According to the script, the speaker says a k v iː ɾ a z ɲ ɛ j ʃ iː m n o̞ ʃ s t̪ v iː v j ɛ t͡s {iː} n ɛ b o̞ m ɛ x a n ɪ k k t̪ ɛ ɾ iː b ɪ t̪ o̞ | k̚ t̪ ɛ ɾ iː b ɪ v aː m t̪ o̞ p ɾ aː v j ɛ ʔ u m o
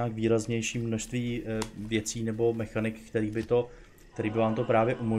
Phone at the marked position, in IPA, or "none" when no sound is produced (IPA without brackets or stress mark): iː